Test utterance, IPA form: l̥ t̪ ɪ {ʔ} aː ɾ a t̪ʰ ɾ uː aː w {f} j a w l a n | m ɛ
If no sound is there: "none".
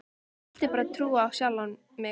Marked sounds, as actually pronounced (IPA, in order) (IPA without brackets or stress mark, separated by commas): p, s